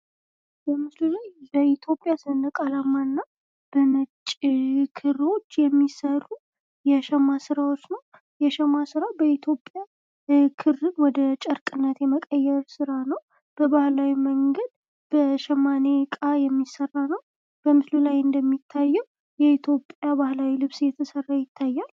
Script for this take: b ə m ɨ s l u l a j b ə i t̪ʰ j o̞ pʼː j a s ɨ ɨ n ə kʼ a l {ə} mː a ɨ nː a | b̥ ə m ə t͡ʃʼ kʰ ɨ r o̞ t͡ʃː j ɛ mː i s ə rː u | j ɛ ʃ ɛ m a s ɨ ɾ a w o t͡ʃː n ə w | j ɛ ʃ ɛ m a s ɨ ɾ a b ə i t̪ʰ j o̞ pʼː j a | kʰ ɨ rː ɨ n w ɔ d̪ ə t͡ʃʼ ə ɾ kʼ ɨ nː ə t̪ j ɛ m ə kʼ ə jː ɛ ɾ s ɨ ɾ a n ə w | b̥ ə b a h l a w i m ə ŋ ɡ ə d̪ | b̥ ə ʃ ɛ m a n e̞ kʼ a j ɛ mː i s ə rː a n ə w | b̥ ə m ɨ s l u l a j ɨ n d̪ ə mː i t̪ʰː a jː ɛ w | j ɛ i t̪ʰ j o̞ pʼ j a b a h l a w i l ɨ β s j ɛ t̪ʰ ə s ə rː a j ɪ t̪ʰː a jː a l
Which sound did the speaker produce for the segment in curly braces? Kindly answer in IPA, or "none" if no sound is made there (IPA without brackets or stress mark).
a